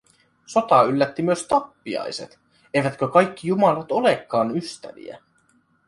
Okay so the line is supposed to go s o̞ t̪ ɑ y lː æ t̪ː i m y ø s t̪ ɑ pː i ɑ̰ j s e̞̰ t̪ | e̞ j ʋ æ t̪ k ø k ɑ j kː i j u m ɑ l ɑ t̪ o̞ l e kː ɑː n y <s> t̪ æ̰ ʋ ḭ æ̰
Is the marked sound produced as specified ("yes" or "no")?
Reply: yes